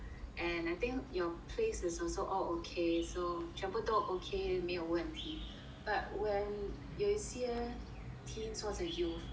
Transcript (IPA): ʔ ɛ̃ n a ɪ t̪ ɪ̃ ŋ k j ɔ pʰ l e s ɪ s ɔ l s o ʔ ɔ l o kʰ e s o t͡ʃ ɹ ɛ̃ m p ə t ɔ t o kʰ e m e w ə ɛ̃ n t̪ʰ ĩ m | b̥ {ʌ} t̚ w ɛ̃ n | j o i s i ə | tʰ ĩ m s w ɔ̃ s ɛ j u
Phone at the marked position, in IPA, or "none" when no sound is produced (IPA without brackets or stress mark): a